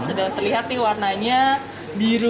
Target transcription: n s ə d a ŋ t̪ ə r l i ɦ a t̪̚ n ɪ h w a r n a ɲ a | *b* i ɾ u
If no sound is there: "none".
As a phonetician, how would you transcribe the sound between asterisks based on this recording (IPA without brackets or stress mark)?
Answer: b